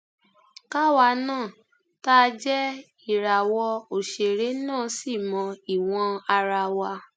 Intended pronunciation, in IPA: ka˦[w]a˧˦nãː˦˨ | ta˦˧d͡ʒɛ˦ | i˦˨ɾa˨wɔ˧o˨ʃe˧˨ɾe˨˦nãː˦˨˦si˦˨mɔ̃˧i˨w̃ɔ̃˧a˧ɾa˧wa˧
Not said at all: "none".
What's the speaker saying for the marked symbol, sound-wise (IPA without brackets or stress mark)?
w